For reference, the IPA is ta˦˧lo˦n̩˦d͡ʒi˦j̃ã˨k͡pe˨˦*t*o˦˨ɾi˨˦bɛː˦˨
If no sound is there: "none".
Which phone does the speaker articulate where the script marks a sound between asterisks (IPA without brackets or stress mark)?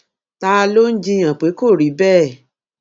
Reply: k